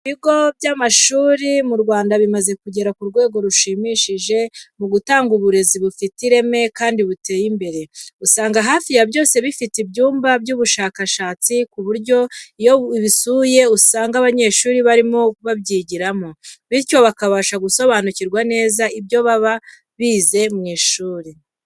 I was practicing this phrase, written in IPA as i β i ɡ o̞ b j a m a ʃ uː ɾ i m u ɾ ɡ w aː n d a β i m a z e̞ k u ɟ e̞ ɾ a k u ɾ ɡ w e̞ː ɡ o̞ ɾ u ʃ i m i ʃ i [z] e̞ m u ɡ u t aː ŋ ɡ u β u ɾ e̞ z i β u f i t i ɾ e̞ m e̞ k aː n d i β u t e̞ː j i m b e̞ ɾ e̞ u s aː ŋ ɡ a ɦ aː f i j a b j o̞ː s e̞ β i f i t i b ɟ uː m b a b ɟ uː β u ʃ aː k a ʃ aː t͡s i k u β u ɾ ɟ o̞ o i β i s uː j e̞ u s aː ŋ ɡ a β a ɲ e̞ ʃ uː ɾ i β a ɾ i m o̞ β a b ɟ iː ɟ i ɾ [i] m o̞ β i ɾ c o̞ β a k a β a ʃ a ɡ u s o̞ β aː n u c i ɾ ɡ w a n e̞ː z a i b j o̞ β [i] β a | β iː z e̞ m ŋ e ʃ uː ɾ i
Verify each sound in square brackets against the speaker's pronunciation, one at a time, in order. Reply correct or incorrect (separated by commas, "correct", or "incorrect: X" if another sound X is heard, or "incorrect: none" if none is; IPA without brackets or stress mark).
incorrect: ʒ, incorrect: a, incorrect: a